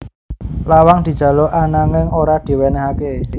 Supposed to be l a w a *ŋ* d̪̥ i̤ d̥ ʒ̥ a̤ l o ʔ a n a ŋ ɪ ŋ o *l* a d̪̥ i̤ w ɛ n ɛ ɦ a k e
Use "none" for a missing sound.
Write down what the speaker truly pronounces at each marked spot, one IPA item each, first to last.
ŋ, ɾ

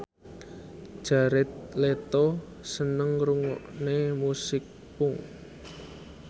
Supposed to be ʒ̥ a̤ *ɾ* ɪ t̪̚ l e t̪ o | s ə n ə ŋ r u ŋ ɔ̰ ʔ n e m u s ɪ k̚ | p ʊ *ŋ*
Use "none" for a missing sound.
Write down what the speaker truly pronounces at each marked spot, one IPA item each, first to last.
ɾ, ŋ

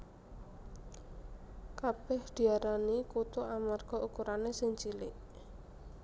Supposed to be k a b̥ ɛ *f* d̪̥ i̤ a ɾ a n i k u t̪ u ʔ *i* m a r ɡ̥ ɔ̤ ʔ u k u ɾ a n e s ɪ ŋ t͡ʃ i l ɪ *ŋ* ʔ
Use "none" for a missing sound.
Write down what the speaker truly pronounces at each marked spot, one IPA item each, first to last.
h, a, none

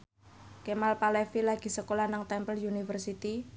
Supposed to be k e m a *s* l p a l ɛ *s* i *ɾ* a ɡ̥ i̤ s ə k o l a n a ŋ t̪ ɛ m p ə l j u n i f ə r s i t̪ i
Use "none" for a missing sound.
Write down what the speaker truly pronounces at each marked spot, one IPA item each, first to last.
none, f, l

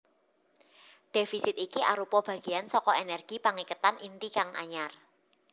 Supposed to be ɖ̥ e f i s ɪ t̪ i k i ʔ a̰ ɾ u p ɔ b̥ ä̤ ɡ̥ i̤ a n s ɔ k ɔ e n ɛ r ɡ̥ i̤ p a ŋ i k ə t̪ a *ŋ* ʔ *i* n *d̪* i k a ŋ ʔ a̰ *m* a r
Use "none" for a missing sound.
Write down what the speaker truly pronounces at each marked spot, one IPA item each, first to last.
n, i, t̪, ɲ

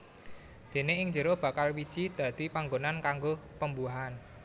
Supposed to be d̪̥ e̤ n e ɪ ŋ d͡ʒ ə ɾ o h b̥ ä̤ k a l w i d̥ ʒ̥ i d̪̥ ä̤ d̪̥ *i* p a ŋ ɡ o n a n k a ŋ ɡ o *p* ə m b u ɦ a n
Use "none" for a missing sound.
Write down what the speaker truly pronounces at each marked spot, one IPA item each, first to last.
i, p

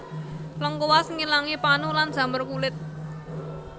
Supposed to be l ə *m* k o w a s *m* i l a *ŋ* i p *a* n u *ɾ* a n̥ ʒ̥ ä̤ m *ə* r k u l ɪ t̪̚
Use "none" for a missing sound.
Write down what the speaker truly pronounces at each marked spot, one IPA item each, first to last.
ŋ, ŋ, ŋ, a, l, ə

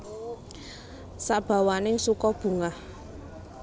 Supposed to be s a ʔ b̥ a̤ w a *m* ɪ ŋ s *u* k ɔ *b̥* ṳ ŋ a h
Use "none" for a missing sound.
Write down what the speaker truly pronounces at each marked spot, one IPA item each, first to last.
n, u, b̥

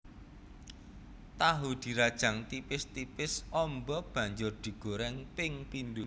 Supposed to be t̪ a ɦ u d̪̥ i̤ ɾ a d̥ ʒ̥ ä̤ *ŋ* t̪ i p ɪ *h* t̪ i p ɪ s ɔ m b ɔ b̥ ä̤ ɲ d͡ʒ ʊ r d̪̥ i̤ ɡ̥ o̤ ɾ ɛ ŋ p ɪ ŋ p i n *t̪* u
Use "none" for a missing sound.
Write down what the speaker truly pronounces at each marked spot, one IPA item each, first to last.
ŋ, s, d̪

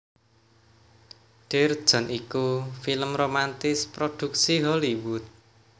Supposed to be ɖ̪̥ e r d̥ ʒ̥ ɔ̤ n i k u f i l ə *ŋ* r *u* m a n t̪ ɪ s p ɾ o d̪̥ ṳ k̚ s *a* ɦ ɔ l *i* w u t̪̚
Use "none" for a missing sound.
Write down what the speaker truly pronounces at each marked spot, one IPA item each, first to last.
m, o, i, i

